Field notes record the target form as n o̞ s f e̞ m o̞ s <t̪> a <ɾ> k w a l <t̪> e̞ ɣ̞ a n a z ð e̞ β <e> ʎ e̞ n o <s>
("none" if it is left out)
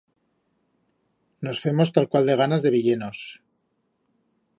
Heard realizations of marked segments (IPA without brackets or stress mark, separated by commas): t̪, l, d̪, i, s